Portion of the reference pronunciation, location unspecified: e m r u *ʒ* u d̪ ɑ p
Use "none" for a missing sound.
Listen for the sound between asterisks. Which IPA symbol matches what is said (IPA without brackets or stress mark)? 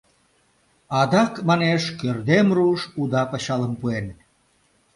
ʃ